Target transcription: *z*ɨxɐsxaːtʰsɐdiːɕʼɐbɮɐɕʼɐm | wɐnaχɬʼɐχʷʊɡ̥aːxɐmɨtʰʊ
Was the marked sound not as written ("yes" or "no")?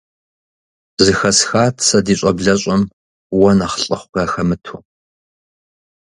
no